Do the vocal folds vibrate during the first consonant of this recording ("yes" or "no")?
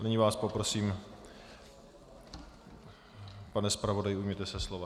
yes